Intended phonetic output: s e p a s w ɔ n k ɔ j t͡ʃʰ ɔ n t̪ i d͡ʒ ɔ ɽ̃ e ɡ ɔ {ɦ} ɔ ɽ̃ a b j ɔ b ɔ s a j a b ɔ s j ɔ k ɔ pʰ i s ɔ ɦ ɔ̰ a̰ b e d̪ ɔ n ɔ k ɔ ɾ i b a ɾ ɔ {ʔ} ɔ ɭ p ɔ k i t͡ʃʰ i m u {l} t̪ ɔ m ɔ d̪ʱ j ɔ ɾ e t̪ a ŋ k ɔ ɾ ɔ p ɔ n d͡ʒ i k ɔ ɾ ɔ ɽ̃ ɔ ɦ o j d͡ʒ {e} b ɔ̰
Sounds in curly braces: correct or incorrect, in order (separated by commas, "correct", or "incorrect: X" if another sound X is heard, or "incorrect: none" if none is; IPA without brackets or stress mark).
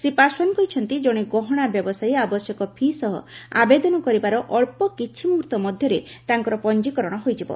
correct, correct, incorrect: ɾ, incorrect: i